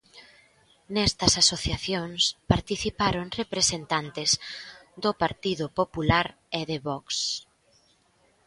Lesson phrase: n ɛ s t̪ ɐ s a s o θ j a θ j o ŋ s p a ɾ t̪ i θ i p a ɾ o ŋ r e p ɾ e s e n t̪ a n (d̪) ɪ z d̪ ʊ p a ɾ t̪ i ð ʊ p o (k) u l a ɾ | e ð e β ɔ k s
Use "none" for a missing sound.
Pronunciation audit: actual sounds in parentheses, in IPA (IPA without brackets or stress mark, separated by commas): t̪, p